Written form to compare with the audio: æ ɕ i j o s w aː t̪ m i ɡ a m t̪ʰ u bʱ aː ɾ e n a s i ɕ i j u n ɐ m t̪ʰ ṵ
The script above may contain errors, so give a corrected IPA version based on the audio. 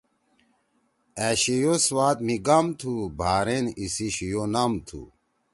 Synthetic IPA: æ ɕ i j o s w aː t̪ m i ɡ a m t̪ʰ u bʱ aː ɾ e n i s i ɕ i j o n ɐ m t̪ʰ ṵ